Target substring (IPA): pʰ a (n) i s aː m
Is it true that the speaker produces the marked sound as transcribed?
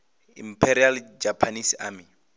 yes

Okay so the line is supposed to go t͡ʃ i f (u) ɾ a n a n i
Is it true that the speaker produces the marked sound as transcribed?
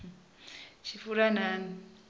yes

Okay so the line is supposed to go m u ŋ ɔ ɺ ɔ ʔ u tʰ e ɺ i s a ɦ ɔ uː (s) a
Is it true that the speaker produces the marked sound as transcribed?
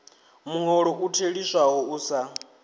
yes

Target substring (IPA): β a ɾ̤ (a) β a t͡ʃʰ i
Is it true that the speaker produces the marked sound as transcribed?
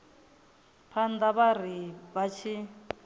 no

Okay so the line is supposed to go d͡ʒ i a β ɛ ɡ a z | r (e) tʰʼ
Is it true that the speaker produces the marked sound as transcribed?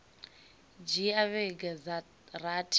no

